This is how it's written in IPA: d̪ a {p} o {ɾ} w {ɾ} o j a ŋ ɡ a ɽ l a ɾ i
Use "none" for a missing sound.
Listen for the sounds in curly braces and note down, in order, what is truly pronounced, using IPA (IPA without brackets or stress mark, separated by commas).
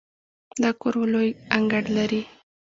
k, ɾ, l